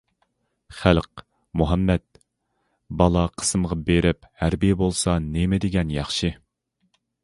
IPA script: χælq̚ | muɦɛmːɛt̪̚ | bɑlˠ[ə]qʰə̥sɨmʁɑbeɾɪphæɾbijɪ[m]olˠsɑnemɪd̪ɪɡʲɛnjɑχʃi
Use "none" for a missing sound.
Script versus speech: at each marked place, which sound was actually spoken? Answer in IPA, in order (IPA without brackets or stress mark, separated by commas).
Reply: ɑ, b